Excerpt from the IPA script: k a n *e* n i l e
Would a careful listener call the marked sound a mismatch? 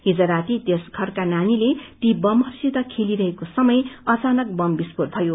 yes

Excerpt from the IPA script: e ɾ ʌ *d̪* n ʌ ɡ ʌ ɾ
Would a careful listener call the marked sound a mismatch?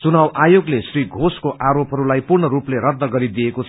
no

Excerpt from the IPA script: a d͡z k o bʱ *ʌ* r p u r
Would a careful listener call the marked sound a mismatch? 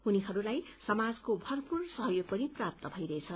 no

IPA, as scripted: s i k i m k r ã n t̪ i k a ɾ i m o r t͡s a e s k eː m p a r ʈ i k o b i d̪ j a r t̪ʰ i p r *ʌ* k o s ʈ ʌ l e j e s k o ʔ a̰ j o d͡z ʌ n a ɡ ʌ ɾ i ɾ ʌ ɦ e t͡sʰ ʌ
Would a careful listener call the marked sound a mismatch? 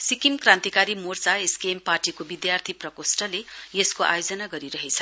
no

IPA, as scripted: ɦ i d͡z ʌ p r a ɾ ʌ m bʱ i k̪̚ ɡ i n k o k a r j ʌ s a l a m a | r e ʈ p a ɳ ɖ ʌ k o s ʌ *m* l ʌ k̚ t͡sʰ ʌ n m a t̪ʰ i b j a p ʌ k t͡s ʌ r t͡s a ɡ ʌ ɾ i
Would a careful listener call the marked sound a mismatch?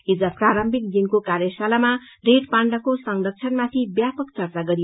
yes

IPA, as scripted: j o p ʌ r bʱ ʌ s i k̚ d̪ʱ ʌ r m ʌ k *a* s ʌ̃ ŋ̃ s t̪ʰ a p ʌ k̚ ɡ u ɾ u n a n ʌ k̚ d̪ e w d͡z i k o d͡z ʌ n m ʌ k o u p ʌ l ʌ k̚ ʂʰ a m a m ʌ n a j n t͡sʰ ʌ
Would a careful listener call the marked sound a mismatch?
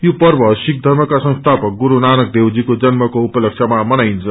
no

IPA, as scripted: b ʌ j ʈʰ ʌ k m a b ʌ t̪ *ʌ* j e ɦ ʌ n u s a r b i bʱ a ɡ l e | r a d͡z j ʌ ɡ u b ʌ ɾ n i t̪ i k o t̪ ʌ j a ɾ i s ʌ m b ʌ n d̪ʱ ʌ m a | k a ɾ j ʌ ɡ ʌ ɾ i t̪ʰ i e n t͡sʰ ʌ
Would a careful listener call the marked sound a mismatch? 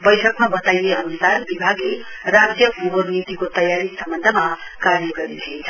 yes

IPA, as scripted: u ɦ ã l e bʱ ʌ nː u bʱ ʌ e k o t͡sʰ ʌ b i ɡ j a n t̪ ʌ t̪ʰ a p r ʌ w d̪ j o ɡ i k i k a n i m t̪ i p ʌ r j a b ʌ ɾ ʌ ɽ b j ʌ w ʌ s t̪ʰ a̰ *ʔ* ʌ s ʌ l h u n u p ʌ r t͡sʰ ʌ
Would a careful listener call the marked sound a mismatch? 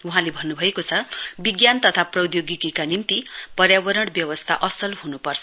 no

